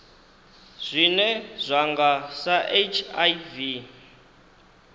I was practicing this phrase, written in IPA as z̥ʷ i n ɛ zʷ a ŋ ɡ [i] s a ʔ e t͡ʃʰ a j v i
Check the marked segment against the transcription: incorrect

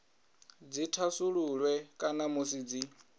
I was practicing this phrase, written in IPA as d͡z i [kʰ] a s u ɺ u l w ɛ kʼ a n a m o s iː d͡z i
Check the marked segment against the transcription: incorrect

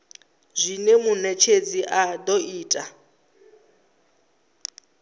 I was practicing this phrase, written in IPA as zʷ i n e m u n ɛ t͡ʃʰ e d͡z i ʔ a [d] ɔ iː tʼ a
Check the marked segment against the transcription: correct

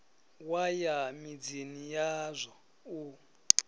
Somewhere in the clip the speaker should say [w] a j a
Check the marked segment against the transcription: correct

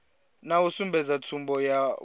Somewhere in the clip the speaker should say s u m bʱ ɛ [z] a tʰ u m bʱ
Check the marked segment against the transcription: correct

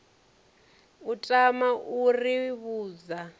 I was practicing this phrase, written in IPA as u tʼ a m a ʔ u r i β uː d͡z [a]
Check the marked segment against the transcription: correct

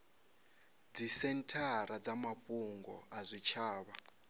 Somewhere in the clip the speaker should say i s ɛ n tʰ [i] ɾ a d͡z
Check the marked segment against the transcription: incorrect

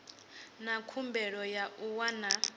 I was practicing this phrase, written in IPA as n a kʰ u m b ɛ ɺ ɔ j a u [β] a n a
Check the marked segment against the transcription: incorrect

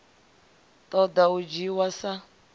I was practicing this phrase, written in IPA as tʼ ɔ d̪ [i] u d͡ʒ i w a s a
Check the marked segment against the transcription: incorrect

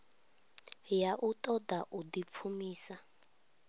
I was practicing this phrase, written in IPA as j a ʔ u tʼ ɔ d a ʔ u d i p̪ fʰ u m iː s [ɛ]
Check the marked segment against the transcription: incorrect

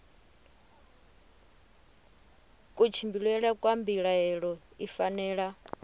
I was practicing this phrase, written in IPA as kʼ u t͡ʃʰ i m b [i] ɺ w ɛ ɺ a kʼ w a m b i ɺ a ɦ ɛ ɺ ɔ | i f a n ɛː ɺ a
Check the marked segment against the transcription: correct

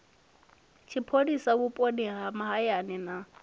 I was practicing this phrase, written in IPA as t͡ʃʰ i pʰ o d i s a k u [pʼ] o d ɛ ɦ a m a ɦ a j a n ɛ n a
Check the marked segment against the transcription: correct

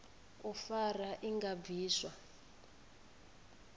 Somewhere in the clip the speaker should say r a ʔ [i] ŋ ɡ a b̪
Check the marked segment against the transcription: correct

